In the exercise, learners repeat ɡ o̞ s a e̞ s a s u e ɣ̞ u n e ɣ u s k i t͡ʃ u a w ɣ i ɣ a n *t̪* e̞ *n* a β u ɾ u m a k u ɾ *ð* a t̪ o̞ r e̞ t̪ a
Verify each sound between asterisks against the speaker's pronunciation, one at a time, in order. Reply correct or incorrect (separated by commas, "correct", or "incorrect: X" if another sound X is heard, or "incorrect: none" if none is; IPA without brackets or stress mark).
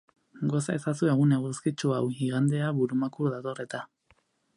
incorrect: d̪, incorrect: none, correct